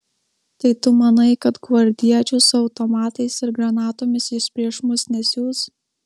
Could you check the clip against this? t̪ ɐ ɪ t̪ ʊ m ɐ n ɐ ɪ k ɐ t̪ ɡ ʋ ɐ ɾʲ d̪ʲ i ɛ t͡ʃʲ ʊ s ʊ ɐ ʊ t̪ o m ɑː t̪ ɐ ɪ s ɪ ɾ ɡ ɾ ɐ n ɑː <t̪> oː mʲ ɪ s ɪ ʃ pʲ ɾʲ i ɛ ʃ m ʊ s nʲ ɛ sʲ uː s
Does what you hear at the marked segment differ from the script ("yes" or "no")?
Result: no